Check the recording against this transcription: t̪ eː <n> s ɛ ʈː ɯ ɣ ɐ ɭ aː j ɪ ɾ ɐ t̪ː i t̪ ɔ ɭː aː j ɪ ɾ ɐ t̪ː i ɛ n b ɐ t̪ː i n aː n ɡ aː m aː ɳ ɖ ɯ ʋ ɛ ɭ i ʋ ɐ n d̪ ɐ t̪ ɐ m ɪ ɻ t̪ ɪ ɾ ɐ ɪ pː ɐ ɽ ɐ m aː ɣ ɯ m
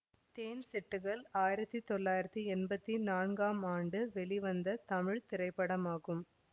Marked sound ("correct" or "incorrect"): correct